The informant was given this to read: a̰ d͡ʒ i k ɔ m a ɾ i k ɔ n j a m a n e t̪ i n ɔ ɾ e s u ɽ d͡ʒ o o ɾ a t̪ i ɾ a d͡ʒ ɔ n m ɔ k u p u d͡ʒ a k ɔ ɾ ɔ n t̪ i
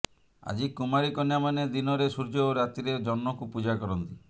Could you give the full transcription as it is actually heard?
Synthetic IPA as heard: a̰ d͡ʒ i k u m a ɾ i k ɔ n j a m a n e d̪ i n ɔ ɾ e s u ɾ d͡ʒ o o ɾ a t̪ i ɾ e d͡ʒ ɔ n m ɔ k u p u d͡ʒ a k ɔ ɾ ɔ n t̪ i